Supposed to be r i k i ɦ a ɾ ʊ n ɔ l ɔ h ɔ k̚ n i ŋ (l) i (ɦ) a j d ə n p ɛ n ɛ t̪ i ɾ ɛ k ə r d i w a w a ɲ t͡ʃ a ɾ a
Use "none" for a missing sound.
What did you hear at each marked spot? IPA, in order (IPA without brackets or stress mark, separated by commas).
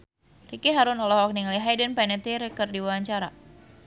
l, ɦ